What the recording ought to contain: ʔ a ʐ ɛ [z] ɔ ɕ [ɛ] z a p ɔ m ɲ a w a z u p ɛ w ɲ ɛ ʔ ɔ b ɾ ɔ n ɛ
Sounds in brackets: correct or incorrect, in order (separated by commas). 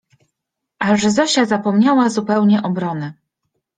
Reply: correct, incorrect